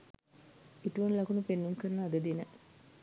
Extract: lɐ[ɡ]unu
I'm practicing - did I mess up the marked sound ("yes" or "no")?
yes